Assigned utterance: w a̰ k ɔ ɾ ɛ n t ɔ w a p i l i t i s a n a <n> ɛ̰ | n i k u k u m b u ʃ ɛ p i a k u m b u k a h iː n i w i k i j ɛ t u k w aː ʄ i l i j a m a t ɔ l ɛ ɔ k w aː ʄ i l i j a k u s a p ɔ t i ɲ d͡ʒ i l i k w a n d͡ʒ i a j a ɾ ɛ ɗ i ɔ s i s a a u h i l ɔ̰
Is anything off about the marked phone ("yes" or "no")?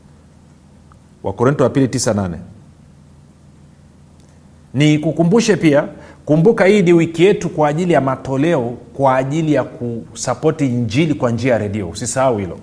no